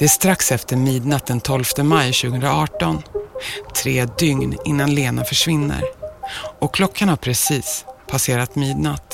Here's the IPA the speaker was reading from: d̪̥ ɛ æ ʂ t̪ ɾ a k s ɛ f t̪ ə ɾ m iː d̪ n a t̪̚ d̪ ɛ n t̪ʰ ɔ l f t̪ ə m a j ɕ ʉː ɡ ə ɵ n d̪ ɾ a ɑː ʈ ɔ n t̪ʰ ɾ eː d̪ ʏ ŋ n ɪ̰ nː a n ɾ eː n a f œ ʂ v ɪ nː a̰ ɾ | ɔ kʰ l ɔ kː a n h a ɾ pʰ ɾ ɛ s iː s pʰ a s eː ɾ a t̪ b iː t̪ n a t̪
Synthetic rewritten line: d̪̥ ɛ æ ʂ t̪ ɾ a k s ɛ f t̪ ə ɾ m iː d̪ n a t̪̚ d̪ ɛ n t̪ʰ ɔ l f t̪ ə m a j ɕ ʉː ɡ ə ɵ n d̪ ɾ a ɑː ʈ ɔ n t̪ʰ ɾ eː d̪ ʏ ŋ n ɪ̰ nː a n l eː n a f œ ʂ v ɪ nː ə̰ ɾ | ɔ kʰ l ɔ kː a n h a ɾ pʰ ɾ ɛ s iː s pʰ a s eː ɾ a t̪ m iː d̪ n a t̪